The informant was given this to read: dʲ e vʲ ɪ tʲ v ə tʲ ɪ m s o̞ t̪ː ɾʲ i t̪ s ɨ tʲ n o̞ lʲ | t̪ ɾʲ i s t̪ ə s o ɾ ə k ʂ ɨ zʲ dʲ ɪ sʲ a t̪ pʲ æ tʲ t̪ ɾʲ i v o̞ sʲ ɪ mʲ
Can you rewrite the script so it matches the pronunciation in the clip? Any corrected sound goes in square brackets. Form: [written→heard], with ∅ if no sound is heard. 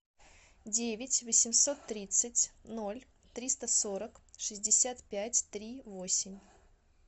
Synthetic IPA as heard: dʲ e vʲ ɪ tʲ v ə [tʲ→sʲ] ɪ m s o̞ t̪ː ɾʲ i t̪ s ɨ tʲ n o̞ lʲ | t̪ ɾʲ i s t̪ ə s o ɾ ə k ʂ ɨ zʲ dʲ ɪ sʲ a t̪ pʲ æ tʲ t̪ ɾʲ i v o̞ sʲ ɪ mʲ